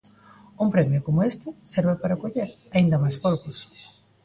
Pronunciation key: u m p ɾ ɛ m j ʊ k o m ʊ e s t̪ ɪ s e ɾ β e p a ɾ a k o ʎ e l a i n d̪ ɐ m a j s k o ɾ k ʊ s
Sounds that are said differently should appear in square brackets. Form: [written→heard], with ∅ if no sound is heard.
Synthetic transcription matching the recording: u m p ɾ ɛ m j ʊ k o m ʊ e s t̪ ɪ s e ɾ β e p a ɾ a k o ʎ e [l→ɾ] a i n d̪ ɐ m a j s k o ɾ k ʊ s